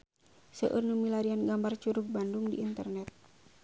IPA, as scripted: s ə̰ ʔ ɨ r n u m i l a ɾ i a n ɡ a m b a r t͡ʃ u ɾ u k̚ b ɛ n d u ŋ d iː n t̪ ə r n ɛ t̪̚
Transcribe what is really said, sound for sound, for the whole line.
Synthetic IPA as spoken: s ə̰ ʔ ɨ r n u m i l a ɾ i a n ɡ a m b a r t͡ʃ u ɾ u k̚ b a n d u ŋ d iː n t̪ ə r n ɛ t̪̚